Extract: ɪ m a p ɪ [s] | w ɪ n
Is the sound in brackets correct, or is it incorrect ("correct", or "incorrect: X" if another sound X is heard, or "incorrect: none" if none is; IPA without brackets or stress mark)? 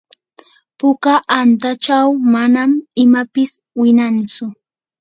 correct